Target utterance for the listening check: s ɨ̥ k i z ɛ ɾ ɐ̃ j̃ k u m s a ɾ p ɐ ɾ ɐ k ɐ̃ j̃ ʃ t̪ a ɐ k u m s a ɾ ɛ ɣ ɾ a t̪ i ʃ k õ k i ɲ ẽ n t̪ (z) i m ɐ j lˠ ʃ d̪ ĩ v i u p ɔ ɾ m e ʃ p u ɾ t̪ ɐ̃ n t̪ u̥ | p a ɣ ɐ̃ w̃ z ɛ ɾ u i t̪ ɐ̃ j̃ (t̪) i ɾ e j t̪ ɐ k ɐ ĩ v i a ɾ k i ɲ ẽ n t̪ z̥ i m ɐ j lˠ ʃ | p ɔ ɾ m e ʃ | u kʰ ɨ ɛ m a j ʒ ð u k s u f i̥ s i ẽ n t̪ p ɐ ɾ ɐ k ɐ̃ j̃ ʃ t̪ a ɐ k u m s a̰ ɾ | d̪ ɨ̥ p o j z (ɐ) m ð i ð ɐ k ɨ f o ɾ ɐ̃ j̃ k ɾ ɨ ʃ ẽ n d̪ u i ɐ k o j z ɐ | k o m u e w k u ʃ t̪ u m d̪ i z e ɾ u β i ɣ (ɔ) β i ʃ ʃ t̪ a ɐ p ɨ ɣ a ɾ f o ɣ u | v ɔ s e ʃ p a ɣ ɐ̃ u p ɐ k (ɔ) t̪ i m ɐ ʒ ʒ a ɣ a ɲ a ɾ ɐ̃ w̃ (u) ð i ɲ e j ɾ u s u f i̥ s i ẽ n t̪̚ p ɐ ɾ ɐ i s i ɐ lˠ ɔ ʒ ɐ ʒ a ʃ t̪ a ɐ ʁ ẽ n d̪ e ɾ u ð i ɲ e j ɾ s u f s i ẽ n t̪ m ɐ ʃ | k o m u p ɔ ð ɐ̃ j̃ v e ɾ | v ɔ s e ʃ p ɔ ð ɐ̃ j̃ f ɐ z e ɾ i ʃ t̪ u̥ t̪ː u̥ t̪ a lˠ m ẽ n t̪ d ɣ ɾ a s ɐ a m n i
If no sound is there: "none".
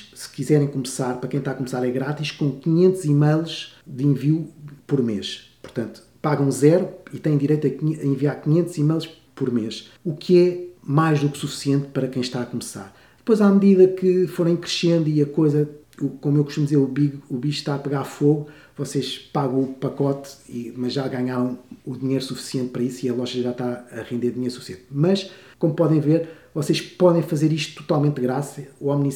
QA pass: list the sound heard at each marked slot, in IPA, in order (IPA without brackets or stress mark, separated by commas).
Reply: z, d̪, a, u, ɔ, u